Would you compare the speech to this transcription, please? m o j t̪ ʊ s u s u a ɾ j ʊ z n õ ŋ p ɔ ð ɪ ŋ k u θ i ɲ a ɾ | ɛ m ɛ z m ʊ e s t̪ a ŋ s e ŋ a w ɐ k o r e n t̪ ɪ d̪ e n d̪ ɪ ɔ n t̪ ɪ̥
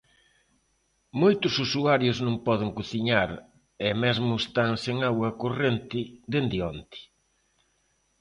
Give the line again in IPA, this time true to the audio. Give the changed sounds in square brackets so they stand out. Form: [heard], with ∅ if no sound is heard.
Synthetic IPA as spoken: m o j t̪ ʊ s u s u a ɾ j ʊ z n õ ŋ p ɔ ð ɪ ŋ k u θ i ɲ a ɾ | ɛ m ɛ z m ʊ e s t̪ a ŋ s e ŋ a w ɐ k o r e n t̪ ɪ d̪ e n d̪ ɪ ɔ n t̪ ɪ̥